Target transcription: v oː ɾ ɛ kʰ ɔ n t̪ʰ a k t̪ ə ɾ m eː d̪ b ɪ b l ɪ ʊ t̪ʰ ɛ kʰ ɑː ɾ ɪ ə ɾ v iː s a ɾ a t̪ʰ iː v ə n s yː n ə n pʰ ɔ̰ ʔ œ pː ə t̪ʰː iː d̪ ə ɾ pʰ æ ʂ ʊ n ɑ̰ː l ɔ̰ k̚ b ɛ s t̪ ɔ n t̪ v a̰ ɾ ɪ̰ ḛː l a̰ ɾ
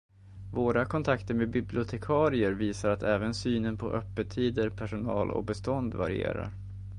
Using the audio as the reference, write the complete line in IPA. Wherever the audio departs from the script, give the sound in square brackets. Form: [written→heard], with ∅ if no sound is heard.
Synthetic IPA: v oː ɾ [ɛ→a] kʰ ɔ n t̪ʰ a k t̪ ə ɾ m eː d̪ b ɪ b l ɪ ʊ t̪ʰ ɛ kʰ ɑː ɾ ɪ ə ɾ v iː s a ɾ a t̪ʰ [iː→ɛː] v ə n s yː n ə n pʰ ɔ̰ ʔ œ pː ə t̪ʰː iː d̪ ə ɾ pʰ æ ʂ ʊ n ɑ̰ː l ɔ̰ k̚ b ɛ s t̪ ɔ n [t̪→d̪] v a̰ ɾ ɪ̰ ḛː [l→ɾ] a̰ ɾ